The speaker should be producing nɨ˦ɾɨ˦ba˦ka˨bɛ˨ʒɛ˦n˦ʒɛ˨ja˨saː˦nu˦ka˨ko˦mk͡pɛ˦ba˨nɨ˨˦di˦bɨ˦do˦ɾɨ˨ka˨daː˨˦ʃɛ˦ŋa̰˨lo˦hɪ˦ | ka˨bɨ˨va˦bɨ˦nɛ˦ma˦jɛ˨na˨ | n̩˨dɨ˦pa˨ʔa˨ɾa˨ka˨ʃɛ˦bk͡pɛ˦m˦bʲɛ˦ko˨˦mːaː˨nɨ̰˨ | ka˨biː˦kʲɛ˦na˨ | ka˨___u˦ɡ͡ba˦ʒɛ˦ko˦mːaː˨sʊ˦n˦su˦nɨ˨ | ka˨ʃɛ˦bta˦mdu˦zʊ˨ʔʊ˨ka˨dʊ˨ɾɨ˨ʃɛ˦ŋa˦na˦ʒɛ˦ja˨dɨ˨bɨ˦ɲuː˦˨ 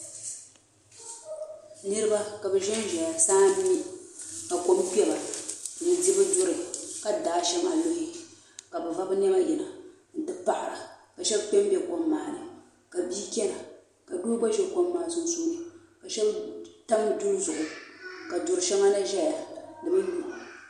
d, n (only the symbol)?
d